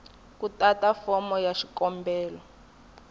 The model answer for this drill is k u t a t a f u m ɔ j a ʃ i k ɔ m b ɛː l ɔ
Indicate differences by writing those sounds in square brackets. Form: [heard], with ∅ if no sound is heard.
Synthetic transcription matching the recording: k u t a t a f [ɔ] m ɔ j a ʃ i k ɔ m b ɛː l ɔ